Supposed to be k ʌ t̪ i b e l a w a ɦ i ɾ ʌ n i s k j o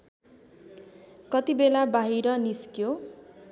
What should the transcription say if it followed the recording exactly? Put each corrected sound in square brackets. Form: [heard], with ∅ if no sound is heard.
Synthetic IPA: k ʌ t̪ i b e l a [b] a ɦ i ɾ ʌ n i s k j o

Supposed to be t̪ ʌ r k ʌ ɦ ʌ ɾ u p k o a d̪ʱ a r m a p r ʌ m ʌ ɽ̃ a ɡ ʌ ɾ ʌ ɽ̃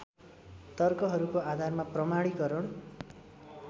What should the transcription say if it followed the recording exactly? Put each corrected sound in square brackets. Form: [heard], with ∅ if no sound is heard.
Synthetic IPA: t̪ ʌ r k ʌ ɦ ʌ ɾ u [∅] k o a d̪ʱ a r m a p r ʌ m [a] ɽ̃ [i] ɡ ʌ ɾ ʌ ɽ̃

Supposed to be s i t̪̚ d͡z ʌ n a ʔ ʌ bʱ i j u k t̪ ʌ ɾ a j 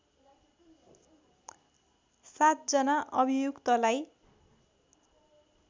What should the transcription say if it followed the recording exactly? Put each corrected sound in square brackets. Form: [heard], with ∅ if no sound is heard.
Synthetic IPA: s [a] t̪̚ d͡z ʌ n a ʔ ʌ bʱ i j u k t̪ ʌ [l] a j

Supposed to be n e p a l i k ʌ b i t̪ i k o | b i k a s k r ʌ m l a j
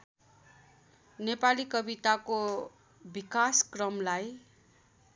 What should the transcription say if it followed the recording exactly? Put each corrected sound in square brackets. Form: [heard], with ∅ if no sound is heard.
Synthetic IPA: n e p a l i k ʌ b i t̪ [a] k o | b i k a s k r ʌ m l a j

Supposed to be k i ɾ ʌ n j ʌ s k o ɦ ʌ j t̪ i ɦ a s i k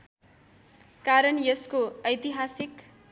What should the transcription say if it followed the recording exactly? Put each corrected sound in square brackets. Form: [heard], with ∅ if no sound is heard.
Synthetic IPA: k [a] ɾ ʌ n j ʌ s k o [∅] ʌ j t̪ i ɦ a s i k

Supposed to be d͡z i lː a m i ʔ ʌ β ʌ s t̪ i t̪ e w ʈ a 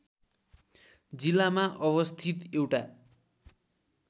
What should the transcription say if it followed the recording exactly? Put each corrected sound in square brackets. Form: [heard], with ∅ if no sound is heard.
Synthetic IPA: d͡z i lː a m [a] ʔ ʌ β ʌ s [t̪ʰ] i t̪ e w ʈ a

